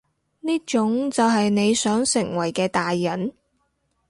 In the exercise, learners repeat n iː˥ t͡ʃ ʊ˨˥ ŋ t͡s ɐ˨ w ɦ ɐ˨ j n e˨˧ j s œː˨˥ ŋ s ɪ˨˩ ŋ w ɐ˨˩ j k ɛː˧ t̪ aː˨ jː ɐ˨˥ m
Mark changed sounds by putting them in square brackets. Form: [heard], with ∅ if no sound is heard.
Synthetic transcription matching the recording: n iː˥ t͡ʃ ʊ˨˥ ŋ t͡s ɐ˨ w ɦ ɐ˨ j n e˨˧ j s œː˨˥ ŋ s ɪ˨˩ ŋ w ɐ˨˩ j k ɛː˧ t̪ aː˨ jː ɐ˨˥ [n]